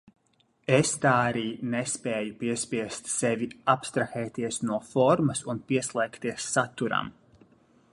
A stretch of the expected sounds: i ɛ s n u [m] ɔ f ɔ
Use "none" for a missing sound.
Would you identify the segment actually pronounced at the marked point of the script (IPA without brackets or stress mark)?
none